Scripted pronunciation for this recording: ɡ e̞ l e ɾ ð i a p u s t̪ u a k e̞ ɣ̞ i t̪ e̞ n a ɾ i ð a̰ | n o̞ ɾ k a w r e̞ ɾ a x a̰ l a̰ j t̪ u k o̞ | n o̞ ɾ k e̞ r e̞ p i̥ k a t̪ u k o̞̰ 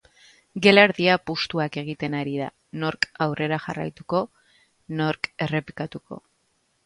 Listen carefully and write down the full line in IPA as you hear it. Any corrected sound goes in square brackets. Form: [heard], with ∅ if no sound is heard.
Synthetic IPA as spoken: ɡ e̞ l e ɾ ð i a p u s t̪ u a k e̞ ɣ̞ i t̪ e̞ n a ɾ i ð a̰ | n o̞ ɾ k a w r e̞ ɾ a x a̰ [r] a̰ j t̪ u k o̞ | n o̞ ɾ k e̞ r e̞ p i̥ k a t̪ u k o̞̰